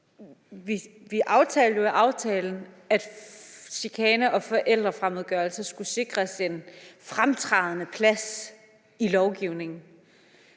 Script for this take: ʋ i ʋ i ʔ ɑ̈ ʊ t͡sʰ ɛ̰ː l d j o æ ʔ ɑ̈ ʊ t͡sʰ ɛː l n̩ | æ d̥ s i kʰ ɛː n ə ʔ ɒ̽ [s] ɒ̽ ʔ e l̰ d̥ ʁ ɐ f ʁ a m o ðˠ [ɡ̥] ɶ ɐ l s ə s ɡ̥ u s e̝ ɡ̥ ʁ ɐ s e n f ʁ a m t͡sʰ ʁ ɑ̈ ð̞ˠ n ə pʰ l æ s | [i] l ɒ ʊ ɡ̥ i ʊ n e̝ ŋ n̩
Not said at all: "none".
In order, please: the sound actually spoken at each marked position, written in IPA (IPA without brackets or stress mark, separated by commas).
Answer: f, ɡ̥, i